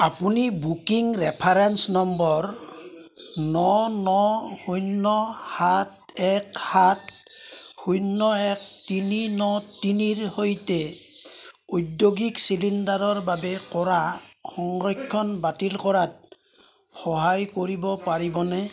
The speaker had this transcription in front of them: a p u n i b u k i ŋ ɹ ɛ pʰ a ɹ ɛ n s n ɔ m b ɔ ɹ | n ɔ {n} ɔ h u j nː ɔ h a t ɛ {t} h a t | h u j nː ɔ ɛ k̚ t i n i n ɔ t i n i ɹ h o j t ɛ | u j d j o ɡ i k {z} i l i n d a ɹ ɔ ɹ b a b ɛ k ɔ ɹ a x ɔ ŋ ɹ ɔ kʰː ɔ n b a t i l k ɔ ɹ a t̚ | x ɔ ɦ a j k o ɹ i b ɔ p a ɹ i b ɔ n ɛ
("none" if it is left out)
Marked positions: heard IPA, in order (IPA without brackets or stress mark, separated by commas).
n, k, s